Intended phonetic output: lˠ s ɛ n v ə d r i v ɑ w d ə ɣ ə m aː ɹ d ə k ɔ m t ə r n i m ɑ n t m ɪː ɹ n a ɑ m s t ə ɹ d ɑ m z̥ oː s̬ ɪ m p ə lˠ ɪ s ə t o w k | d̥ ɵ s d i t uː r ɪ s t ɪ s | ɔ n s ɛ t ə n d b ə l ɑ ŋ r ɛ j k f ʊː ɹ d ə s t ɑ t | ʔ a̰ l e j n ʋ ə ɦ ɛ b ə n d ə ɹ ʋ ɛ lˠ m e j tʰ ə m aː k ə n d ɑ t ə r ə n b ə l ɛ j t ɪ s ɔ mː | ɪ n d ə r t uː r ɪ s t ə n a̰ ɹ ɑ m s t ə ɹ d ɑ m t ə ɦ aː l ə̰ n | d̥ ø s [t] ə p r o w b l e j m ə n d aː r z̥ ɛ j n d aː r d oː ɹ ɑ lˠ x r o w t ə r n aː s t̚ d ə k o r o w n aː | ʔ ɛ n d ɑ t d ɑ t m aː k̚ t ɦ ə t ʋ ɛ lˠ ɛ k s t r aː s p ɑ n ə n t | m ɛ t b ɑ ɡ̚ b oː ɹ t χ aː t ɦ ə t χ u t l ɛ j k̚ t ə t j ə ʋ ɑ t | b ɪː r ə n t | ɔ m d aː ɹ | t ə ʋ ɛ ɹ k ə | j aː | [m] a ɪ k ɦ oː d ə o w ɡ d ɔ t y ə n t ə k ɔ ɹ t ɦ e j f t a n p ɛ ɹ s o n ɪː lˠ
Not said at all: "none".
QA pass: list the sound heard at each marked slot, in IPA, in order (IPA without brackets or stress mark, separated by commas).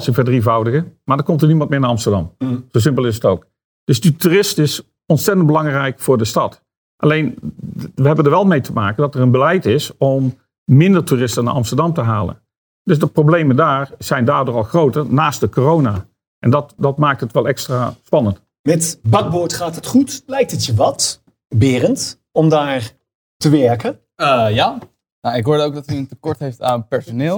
d, n